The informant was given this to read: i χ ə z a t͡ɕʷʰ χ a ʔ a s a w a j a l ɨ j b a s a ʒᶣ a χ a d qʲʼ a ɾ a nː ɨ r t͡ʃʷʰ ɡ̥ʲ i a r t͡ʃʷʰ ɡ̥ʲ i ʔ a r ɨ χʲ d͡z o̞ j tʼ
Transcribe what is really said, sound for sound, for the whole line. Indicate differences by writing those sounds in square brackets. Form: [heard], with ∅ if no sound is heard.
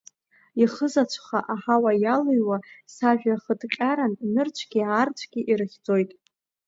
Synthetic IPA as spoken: i χ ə z a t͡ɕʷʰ χ a ʔ a [ħ] a w a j a l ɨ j [w] a s a ʒᶣ a χ [ə] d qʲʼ a ɾ a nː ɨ r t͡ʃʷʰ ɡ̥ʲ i a r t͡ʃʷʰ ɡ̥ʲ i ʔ [i] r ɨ χʲ d͡z o̞ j tʼ